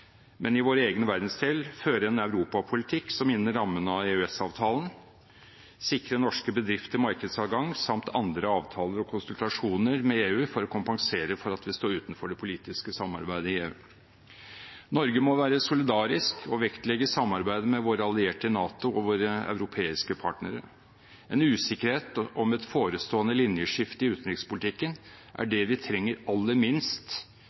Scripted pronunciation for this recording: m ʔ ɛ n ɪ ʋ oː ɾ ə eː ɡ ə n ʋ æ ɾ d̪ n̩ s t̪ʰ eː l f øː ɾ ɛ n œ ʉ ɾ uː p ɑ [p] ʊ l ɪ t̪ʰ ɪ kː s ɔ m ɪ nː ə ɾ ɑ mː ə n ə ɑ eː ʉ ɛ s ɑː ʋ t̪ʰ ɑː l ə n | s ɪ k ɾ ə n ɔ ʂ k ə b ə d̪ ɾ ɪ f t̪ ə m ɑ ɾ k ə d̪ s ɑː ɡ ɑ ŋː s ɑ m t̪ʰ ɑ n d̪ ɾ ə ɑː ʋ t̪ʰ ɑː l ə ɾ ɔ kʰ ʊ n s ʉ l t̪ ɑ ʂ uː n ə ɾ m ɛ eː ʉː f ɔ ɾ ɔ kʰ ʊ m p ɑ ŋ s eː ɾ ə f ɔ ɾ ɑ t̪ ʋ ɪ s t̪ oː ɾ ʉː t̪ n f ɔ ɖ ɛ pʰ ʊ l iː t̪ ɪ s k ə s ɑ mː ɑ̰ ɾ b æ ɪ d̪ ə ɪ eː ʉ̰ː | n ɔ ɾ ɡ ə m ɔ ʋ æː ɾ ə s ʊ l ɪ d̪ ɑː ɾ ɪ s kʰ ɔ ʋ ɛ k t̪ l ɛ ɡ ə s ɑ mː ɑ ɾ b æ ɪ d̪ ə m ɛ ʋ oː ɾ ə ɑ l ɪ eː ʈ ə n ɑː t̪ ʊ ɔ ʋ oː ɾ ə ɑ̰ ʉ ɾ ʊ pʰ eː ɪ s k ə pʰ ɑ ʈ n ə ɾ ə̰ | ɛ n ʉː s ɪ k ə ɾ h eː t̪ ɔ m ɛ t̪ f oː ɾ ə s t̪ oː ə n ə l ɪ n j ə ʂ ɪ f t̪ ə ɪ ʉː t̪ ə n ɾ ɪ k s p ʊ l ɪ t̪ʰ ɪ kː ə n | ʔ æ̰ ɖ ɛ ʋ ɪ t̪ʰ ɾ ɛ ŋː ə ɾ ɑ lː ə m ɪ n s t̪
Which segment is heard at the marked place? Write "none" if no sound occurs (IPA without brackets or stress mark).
pʰ